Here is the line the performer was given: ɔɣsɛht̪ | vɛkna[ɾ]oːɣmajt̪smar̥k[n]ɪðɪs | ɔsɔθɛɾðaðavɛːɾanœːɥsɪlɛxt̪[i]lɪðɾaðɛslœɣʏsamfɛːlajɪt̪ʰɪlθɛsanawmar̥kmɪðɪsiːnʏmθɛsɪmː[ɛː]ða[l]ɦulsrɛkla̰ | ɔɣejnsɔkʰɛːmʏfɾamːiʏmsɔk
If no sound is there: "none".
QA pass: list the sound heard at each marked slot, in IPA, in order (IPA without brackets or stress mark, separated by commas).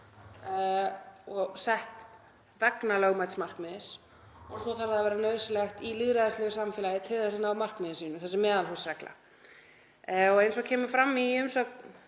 l, m, i, ɛː, l